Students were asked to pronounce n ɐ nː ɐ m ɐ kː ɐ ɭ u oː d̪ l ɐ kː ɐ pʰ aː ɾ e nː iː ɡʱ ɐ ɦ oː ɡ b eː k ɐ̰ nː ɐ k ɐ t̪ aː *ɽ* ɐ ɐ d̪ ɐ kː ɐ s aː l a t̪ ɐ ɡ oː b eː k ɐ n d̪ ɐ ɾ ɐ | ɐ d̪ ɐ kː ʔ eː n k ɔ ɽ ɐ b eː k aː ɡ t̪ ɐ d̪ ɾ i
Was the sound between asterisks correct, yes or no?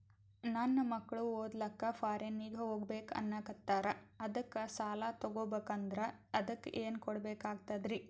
no